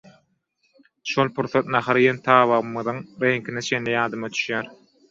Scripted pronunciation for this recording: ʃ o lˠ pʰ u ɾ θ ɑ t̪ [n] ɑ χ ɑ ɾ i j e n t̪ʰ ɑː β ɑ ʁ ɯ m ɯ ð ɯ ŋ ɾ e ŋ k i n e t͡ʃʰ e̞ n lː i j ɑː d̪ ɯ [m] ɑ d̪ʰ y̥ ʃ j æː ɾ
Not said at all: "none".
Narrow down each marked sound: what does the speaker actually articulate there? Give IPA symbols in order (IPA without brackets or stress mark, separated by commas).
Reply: n, m